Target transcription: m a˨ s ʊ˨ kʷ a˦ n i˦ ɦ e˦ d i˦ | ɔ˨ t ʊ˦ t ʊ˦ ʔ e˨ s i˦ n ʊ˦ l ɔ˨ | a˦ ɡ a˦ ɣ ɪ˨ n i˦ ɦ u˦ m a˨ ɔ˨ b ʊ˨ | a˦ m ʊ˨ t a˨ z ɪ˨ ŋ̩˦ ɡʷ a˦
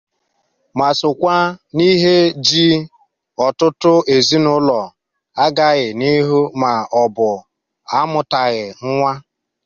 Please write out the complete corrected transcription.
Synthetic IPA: m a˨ s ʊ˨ kʷ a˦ n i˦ ɦ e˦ d͡ʒ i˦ | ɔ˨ t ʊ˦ t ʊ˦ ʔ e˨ z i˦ n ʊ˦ l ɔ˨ | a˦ ɡ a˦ ɣ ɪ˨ n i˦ ɦ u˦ m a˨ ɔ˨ b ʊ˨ | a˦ m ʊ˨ t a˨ ɣ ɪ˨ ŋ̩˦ ŋʷ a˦

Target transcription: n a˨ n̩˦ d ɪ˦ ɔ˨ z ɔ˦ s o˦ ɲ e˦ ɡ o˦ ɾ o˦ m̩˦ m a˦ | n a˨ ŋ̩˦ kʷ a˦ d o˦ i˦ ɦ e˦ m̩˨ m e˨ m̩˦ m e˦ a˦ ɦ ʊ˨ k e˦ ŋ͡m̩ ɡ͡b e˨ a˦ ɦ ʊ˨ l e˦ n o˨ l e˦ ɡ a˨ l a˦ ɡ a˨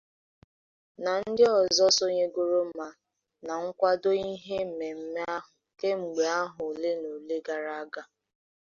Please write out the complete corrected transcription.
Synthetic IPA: n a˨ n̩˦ d ɪ˦ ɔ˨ z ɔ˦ s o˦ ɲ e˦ ɡ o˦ ɾ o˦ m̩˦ m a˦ | n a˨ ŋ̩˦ kʷ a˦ d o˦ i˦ ɦ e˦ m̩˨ m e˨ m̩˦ m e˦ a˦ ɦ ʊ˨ k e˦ ŋ͡m̩ ɡ͡b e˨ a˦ ɦ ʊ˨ l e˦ n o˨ l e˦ ɡ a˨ ɾ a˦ ɡ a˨

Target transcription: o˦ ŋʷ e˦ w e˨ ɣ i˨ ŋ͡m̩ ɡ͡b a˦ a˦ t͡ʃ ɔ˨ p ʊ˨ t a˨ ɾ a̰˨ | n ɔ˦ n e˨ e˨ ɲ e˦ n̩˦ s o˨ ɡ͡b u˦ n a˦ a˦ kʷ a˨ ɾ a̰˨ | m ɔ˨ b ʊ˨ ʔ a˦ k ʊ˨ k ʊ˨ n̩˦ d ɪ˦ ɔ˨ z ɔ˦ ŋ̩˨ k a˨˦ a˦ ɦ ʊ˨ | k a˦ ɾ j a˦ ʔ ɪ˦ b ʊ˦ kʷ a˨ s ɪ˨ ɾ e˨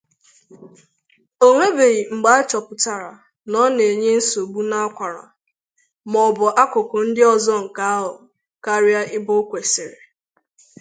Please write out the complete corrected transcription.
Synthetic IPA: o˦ ŋʷ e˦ b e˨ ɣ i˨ ŋ͡m̩ ɡ͡b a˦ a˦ t͡ʃ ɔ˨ p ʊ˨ t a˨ ɾ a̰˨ | n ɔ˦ n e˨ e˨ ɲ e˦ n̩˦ s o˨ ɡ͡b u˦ n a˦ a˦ kʷ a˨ ɾ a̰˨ | m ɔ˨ b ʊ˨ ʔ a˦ k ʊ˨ k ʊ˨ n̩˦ d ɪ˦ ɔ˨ z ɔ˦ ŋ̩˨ k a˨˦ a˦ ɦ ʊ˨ | k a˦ ɾ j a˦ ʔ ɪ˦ b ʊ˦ kʷ e˨ s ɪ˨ ɾ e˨

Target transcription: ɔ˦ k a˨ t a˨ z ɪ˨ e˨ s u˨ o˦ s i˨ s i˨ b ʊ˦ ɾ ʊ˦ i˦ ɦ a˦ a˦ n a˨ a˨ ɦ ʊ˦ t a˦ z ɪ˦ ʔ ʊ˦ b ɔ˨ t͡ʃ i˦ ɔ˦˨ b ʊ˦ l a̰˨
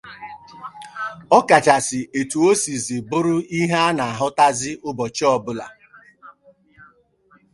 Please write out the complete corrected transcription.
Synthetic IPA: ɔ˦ k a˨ t͡ʃ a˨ s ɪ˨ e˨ t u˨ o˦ s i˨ z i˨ b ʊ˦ ɾ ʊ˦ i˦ ɦ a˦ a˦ n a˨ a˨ ɦ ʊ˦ t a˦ z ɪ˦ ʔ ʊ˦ b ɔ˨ t͡ʃ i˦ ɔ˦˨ b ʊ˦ l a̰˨

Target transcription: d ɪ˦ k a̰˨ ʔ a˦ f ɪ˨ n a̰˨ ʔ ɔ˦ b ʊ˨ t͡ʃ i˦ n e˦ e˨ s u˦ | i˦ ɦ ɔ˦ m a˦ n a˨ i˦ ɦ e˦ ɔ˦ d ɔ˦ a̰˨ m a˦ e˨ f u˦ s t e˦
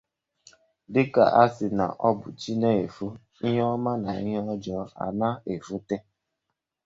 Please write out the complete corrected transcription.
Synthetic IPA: d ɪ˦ k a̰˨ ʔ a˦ s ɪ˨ n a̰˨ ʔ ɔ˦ b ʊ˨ t͡ʃ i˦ n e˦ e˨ f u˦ | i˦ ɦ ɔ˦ m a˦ n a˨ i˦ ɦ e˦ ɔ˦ d͡ʒ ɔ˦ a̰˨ n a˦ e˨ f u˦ t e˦

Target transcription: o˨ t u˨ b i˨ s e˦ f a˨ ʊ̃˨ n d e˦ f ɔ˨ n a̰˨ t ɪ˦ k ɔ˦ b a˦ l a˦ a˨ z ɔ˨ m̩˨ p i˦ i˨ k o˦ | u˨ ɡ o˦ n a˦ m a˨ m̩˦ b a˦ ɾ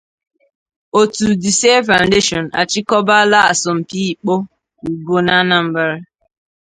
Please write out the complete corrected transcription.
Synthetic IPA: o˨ t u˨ d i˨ s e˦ f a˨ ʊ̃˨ n d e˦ ʃ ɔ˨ n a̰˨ t͡ʃ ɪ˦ k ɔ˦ b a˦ l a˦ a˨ s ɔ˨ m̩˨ p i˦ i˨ k͡p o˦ | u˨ ɡ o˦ n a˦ n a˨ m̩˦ b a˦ ɾ

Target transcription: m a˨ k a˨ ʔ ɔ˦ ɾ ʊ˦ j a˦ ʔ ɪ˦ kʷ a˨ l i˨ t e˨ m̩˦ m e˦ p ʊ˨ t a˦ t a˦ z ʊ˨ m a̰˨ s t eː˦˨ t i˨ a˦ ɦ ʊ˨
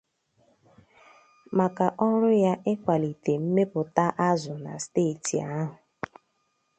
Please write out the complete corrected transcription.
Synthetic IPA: m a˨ k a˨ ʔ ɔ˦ ɾ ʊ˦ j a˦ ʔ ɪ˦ kʷ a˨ l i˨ t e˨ m̩˦ m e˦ p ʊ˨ t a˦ ʔ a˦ z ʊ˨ n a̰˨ s t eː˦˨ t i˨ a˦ ɦ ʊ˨

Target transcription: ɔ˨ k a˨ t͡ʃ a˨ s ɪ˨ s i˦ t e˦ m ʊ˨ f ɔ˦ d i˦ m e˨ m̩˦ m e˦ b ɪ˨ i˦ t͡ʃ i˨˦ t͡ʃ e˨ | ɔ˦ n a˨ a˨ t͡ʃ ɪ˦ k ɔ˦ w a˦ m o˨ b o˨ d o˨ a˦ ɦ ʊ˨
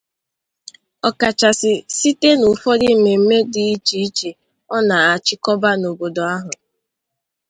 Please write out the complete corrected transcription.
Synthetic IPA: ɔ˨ k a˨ t͡ʃ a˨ s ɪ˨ s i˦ t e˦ n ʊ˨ f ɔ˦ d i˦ m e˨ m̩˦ m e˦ d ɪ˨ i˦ t͡ʃ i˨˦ t͡ʃ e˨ | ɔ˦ n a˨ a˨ t͡ʃ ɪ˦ k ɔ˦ b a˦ n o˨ b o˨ d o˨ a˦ ɦ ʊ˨

